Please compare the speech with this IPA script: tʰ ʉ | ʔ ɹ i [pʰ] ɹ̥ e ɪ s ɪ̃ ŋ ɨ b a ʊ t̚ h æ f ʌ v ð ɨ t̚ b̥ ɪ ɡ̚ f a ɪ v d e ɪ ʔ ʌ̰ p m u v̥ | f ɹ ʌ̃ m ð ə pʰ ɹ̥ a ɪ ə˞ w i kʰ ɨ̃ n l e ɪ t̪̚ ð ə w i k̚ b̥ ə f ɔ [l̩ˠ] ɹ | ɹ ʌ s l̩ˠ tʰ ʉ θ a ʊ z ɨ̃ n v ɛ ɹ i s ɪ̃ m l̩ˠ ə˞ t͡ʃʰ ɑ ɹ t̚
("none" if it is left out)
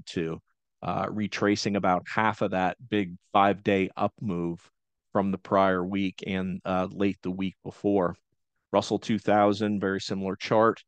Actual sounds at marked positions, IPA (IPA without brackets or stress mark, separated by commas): tʰ, none